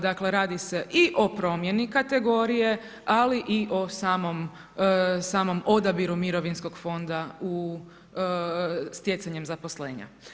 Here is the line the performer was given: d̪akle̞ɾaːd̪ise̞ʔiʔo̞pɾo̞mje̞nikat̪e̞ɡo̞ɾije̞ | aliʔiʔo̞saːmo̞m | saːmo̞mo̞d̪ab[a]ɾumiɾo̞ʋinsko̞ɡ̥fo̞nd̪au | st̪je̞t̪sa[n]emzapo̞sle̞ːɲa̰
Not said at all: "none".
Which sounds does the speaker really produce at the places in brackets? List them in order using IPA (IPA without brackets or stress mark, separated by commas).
i, ɲ